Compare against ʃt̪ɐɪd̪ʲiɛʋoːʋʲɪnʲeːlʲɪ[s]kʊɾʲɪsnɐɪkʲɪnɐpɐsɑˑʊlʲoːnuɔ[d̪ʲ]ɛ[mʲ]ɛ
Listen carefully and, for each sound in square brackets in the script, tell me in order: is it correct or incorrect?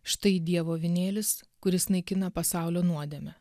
correct, correct, correct

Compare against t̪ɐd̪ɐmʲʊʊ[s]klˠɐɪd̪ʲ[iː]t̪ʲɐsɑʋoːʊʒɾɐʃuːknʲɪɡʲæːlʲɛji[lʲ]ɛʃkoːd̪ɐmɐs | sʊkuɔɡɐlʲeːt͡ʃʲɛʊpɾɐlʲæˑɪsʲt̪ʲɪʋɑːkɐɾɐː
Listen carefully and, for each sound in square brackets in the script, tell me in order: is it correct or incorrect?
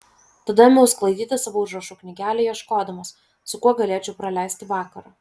correct, correct, incorrect: none

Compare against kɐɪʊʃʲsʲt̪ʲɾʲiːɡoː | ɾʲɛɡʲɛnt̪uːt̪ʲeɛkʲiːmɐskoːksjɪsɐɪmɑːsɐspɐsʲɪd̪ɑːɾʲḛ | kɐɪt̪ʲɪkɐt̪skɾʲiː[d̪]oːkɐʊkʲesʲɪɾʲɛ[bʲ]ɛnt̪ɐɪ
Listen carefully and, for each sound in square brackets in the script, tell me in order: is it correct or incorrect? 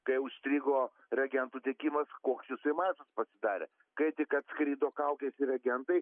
correct, incorrect: ɡʲ

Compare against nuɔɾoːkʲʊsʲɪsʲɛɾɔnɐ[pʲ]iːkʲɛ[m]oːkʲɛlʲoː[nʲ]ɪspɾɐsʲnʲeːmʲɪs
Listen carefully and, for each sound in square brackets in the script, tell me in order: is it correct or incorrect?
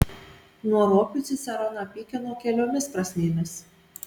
correct, incorrect: n, incorrect: mʲ

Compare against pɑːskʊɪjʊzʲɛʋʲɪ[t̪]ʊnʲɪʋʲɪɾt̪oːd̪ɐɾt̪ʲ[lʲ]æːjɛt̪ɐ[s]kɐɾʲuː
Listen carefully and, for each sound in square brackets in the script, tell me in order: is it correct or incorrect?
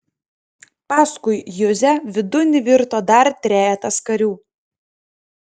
incorrect: d̪, incorrect: ɾʲ, correct

